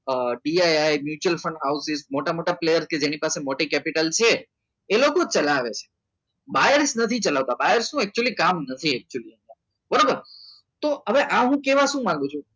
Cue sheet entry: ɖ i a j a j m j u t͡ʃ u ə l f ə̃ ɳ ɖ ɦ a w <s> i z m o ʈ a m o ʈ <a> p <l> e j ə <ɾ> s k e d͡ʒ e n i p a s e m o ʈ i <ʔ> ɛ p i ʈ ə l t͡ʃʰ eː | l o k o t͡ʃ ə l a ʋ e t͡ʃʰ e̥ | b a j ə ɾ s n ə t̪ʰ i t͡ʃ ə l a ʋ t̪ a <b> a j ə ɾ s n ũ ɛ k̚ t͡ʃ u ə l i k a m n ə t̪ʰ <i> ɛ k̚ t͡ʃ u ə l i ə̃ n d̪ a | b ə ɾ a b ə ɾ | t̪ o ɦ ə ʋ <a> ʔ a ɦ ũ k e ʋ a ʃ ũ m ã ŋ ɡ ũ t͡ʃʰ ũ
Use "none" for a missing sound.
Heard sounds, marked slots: s, a, l, ɾ, k, b, i, e

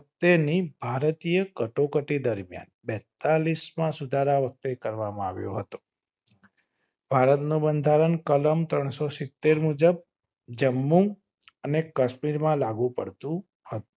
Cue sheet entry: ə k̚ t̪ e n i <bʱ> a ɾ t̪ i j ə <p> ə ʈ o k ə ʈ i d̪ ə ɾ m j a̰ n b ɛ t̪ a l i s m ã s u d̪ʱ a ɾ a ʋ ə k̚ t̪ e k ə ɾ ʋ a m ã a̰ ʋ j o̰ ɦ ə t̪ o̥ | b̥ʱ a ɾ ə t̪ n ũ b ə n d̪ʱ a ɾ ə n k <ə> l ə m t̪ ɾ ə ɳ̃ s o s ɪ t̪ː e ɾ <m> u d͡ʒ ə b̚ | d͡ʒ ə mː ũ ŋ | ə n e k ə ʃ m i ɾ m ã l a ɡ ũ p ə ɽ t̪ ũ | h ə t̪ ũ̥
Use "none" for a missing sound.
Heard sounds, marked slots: bʱ, k, ə, m

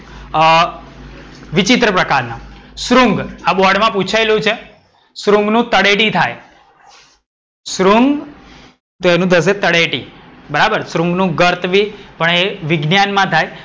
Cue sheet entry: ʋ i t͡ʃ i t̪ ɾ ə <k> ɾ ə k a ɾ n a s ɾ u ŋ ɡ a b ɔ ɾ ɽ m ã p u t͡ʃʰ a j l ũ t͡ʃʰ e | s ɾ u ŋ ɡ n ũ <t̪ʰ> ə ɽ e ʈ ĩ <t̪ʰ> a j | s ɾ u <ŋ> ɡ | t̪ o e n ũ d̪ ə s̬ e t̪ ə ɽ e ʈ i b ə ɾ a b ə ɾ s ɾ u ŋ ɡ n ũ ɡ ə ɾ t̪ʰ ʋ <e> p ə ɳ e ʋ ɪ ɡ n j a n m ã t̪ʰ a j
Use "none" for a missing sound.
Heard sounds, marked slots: p, t̪, t̪ʰ, ŋ, i

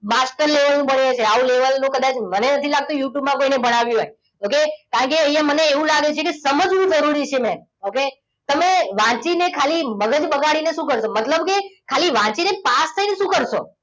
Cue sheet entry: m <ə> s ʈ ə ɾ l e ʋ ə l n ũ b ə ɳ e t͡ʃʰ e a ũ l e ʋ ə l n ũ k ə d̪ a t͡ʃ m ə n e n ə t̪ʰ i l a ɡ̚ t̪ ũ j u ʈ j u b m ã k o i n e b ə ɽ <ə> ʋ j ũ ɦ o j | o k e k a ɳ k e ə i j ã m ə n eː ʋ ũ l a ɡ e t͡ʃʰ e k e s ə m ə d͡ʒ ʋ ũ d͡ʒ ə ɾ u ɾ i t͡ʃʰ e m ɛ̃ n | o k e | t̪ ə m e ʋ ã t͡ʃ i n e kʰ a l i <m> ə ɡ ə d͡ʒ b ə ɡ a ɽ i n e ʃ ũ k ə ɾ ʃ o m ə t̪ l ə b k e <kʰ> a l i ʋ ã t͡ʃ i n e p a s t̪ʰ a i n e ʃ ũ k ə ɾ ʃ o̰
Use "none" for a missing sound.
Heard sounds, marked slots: a, a, m, kʰ

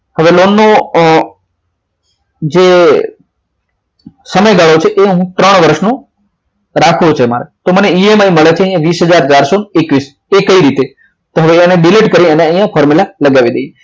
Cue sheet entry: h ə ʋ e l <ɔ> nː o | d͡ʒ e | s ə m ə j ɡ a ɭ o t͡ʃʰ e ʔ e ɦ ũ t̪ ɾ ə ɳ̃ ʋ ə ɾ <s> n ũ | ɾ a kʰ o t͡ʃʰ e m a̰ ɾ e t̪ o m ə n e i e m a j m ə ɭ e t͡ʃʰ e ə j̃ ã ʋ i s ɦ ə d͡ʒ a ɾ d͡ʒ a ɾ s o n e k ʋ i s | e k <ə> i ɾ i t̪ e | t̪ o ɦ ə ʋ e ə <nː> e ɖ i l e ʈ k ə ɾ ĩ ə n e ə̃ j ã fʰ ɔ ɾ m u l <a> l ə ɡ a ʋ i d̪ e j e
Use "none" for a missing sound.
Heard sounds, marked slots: o, ʃ, ə, n, a

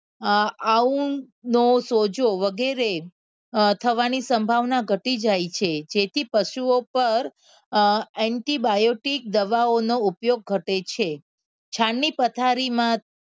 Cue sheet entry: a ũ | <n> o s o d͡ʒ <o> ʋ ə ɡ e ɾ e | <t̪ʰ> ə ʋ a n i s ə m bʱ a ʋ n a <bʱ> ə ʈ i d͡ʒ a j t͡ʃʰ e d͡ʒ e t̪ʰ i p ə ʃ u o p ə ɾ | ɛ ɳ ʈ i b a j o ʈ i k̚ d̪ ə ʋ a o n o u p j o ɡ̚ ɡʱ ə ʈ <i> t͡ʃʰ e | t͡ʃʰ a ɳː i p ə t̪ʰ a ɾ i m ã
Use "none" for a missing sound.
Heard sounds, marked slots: n, o, t̪ʰ, ɡʱ, e

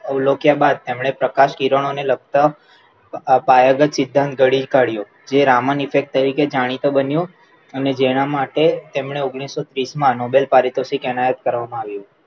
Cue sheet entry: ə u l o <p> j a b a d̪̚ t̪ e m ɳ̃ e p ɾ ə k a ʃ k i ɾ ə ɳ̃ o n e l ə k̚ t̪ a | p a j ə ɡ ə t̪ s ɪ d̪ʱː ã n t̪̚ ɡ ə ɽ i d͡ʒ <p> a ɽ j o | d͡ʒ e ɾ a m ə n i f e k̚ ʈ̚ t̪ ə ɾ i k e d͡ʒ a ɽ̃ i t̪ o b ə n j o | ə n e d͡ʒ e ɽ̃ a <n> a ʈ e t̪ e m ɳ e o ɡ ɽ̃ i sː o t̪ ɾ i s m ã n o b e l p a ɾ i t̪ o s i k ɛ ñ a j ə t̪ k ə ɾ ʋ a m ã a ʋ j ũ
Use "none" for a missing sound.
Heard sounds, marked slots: k, k, m

